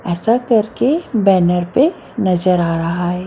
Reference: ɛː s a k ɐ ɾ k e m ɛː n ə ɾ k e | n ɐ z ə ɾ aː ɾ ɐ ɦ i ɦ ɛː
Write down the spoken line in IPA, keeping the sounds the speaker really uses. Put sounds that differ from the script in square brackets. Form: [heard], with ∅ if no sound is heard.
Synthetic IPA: ɛː s a k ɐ ɾ k e [b] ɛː n ə ɾ [p] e | n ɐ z ə ɾ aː ɾ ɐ ɦ [a] ɦ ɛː

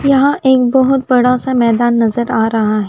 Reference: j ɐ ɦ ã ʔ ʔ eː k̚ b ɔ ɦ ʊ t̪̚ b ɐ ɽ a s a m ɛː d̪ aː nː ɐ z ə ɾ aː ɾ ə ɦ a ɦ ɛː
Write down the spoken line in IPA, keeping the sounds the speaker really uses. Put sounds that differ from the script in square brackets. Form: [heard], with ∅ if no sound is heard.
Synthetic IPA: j ɐ ɦ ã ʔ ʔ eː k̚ b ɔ ɦ ʊ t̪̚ b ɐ ɽ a s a m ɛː d̪ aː nː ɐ z ə ɾ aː ɾ [ɐ] ɦ a ɦ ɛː

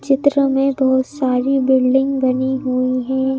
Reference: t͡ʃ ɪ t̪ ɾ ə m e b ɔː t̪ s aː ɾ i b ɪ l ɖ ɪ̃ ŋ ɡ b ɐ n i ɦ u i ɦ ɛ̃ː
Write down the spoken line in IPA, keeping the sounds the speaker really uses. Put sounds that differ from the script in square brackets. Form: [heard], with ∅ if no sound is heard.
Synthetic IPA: t͡ʃ ɪ t̪ ɾ ə m [ẽ] b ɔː t̪ s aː ɾ i b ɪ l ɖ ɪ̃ ŋ ɡ b ɐ n i ɦ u i ɦ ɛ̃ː

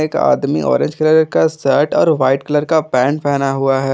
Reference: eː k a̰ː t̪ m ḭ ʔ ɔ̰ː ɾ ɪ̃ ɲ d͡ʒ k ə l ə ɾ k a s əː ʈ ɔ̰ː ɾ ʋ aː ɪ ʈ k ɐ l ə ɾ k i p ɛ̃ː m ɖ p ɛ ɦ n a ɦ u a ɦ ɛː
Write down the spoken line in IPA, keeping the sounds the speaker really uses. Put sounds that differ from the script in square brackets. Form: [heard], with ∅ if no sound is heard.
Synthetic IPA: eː k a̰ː [d̪] m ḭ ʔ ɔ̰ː ɾ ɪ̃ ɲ d͡ʒ k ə l ə ɾ k a s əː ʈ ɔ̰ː ɾ ʋ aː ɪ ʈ k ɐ l ə ɾ k [a] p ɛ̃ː [ɳ] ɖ p ɛ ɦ n a ɦ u a ɦ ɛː

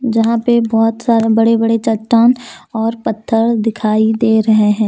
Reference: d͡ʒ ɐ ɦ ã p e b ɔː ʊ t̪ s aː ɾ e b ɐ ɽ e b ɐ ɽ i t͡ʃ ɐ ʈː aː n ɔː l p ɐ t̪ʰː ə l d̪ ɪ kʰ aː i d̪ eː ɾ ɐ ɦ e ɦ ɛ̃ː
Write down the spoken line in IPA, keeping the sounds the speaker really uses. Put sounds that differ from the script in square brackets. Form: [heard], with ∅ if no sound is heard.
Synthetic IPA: d͡ʒ ɐ ɦ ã p e b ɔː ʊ t̪ s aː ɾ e b ɐ ɽ e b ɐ ɽ [e] t͡ʃ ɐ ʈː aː n ɔː [ɾ] p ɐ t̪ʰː ə [ɾ] d̪ ɪ kʰ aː i d̪ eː ɾ ɐ ɦ e ɦ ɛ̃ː

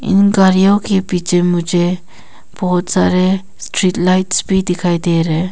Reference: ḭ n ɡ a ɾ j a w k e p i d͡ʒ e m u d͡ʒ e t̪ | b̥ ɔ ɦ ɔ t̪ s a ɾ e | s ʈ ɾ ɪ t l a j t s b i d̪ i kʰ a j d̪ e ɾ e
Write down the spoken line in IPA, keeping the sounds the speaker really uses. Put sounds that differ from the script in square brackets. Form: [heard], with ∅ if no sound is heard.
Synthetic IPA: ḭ n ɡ a ɾ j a w k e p i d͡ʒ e m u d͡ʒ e [∅] | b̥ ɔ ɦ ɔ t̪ s a ɾ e | s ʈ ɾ [i] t l a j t s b i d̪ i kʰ a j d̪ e ɾ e

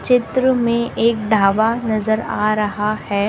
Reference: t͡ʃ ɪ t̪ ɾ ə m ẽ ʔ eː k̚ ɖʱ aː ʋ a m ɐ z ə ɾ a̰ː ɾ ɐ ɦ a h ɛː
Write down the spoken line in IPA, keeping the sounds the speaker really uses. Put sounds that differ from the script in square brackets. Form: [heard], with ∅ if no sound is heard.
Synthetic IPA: t͡ʃ ɪ t̪ ɾ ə m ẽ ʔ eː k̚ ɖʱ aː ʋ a [n] ɐ z ə ɾ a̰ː ɾ ɐ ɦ a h ɛː

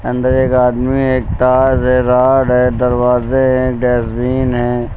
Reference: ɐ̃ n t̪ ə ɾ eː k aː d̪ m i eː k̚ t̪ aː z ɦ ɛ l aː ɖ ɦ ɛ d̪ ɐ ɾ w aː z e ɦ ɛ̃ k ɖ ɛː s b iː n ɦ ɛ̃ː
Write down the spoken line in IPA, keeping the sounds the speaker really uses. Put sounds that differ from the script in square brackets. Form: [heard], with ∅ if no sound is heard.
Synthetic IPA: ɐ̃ n [d̪] ə ɾ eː k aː d̪ m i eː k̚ t̪ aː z ɦ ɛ [ɾ] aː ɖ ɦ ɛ d̪ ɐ ɾ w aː z e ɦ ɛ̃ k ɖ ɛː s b iː n ɦ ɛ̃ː

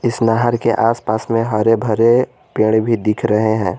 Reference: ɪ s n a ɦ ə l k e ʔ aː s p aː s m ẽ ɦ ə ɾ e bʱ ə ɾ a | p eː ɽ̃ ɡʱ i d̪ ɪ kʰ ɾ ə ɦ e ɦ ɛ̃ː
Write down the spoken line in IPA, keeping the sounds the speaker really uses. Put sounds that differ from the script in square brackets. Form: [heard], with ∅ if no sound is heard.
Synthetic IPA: ɪ s n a ɦ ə [ɾ] k e ʔ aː s p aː s m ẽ ɦ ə ɾ e bʱ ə ɾ [e] | p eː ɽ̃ [bʱ] i d̪ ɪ kʰ ɾ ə ɦ e ɦ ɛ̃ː

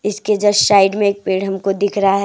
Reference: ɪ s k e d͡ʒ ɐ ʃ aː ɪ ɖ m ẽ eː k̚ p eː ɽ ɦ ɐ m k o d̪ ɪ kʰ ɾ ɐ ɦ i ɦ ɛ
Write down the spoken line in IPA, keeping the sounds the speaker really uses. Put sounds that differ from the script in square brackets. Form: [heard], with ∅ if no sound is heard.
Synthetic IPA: ɪ s k e d͡ʒ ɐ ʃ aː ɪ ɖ m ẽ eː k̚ p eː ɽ ɦ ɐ m k o d̪ ɪ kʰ ɾ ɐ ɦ [a] ɦ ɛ

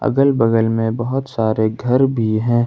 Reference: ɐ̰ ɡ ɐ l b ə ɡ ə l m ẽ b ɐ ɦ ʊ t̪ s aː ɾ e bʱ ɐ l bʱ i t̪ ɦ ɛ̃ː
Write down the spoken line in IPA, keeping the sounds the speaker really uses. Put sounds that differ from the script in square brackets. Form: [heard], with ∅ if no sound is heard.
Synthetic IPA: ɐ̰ ɡ [ə] l b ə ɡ ə l m ẽ b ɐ ɦ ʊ t̪ s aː ɾ e [ɡʱ] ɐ [ɾ] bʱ i [∅] ɦ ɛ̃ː

